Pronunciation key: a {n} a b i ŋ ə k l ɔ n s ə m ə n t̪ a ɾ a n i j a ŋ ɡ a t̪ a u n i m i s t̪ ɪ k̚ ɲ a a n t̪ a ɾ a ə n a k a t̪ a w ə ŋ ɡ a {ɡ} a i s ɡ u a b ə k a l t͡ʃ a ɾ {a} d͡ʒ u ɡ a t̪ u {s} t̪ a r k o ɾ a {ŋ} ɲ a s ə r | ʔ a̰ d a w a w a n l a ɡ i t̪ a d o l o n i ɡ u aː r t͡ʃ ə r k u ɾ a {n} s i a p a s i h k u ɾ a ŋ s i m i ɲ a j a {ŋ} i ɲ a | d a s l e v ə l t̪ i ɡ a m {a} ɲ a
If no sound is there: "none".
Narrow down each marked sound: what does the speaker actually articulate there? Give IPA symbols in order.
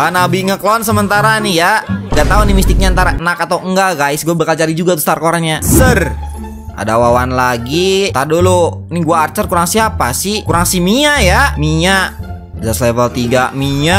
n, ɡ, i, s, n, ŋ, m, i

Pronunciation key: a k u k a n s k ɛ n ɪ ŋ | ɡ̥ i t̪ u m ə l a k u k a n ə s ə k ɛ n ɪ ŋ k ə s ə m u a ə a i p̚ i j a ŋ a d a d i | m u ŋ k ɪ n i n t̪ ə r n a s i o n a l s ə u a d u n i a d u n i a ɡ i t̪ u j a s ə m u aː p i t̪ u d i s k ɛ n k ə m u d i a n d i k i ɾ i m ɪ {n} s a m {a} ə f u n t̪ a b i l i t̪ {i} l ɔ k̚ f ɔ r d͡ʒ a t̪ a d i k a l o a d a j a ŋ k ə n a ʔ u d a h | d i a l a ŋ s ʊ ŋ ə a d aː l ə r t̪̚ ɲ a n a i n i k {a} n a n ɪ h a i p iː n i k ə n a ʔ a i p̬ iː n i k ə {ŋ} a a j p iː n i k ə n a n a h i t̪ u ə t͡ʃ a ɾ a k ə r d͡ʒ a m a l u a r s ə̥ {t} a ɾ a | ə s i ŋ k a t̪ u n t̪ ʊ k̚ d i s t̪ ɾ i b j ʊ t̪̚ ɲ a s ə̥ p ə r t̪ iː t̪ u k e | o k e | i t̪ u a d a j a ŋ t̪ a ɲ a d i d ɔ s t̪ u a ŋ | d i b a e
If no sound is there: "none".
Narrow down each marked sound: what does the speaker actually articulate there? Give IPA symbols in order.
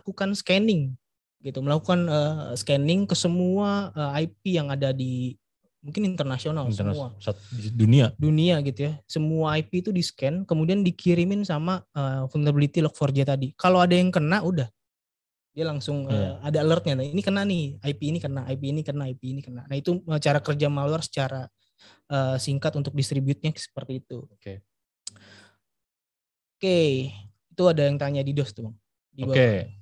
n, a, i, ə, n, t͡ʃ

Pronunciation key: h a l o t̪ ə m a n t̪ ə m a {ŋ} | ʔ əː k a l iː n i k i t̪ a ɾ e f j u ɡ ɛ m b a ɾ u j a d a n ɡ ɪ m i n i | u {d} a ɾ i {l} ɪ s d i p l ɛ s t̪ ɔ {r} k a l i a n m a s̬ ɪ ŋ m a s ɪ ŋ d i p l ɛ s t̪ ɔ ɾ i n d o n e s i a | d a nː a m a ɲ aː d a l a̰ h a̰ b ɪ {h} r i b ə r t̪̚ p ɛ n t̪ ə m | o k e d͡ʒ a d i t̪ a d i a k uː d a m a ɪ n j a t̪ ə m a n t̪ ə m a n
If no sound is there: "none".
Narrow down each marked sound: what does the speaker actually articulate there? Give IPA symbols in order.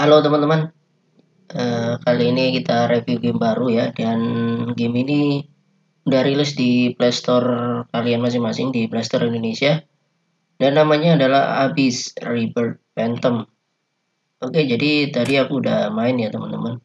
n, d, l, r, s

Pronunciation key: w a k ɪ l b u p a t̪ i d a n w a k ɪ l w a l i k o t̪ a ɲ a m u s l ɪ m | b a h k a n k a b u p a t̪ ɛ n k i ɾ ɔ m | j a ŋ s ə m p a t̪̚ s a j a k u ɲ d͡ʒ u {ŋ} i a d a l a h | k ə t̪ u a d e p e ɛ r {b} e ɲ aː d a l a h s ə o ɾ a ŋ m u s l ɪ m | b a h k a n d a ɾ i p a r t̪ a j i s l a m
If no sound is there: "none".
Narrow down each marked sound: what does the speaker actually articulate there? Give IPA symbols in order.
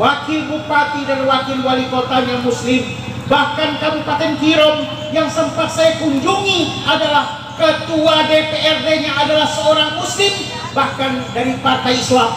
ŋ, d

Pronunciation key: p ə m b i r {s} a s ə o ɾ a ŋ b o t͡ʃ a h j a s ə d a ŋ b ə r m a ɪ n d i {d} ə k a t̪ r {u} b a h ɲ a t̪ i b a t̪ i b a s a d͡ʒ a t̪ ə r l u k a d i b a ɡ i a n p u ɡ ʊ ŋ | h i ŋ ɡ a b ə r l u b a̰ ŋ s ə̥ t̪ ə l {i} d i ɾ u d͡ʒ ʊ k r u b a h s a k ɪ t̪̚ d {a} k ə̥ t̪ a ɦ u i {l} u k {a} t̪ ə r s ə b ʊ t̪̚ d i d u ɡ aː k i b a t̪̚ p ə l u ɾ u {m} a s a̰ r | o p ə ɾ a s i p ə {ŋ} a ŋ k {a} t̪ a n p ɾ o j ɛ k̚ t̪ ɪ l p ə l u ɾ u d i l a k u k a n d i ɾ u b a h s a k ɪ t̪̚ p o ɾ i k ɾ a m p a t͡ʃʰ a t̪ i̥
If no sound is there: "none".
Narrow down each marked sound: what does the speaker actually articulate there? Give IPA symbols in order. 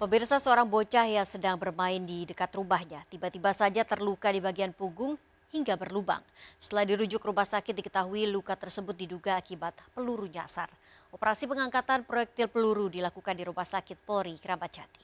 s, d, u, a, i, l, a, ɲ, ŋ, a

